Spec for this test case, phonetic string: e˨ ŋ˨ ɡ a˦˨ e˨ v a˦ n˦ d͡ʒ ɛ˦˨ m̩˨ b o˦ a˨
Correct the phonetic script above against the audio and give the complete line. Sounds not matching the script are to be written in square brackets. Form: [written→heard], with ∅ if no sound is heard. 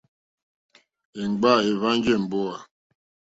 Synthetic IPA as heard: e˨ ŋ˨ [ɡ→ɡ͡b] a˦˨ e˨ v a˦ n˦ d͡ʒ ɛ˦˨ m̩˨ b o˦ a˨